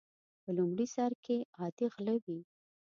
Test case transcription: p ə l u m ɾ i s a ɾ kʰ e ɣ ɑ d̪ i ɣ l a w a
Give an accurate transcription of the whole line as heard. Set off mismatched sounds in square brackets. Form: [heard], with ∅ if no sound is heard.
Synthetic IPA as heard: p ə l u m [ɽ] i s [ɑ] ɾ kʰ e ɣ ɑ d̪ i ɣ l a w [i]